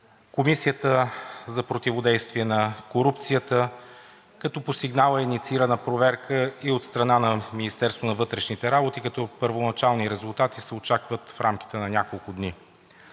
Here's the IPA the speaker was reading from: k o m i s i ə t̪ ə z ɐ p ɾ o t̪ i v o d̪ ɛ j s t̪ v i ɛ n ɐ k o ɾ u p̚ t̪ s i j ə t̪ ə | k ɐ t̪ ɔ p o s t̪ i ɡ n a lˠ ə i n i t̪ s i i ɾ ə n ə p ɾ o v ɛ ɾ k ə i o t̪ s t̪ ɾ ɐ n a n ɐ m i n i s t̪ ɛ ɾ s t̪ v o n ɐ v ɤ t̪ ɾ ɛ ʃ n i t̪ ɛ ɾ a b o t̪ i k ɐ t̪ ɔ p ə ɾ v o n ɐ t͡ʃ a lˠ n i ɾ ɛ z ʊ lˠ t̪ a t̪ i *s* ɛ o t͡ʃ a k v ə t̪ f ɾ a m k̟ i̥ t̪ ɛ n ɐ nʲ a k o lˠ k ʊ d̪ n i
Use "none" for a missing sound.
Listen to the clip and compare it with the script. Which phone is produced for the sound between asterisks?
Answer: s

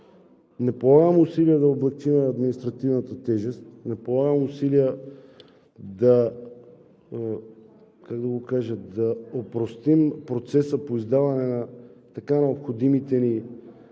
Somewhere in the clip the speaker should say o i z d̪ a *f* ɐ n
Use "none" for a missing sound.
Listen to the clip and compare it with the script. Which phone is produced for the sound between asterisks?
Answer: v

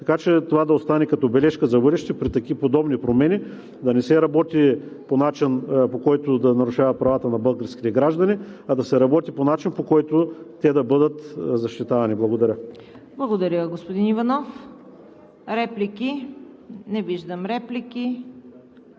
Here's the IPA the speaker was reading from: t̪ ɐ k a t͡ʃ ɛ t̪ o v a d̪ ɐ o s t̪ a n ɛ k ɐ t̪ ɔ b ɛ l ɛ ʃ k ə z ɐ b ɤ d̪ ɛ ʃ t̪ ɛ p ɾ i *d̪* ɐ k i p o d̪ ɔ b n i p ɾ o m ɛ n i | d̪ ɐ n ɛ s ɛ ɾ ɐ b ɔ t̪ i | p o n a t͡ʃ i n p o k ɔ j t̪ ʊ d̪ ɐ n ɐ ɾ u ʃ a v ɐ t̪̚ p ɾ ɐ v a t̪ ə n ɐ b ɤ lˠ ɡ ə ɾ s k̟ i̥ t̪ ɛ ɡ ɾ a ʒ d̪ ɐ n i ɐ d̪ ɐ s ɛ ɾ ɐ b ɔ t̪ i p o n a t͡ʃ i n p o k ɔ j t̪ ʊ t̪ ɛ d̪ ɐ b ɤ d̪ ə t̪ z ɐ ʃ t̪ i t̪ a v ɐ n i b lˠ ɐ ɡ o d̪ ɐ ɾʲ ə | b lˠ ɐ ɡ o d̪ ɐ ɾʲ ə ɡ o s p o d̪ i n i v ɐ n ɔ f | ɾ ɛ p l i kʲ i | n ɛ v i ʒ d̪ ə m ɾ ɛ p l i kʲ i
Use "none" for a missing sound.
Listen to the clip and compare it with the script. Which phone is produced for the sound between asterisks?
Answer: t̪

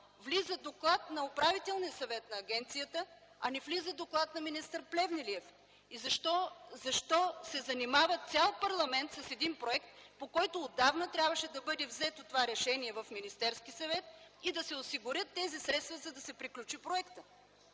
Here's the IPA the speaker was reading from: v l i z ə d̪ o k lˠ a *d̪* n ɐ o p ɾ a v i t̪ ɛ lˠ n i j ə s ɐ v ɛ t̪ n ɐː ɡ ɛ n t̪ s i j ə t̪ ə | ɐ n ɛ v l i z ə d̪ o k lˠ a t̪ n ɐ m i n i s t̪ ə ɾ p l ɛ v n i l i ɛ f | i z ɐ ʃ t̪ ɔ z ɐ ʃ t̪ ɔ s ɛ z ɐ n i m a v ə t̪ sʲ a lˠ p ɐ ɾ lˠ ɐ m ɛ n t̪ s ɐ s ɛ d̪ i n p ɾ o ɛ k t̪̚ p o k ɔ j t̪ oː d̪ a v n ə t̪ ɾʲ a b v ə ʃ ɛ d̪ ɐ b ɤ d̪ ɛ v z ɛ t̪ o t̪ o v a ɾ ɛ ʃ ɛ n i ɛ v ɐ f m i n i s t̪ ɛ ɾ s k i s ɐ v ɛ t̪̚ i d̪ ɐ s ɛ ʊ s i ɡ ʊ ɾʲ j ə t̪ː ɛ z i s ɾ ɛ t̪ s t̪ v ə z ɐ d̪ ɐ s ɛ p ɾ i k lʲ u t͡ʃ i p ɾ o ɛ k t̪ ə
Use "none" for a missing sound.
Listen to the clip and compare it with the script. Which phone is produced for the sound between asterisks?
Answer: t̪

